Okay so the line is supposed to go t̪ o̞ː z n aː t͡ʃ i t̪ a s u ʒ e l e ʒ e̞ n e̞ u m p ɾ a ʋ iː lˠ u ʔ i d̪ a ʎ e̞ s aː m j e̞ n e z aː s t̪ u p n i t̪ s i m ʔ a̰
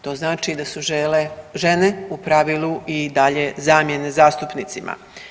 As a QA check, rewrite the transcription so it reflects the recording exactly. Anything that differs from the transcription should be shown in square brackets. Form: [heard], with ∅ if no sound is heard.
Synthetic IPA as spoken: t̪ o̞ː z n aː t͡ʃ i [d̪] a s u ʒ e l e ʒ e̞ n e̞ u [∅] p ɾ a ʋ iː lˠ u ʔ i d̪ a ʎ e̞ [z] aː m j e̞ n e z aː s t̪ u p n i t̪ s i m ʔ a̰